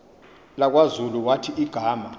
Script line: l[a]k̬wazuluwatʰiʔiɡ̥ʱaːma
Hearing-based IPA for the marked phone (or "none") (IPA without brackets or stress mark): a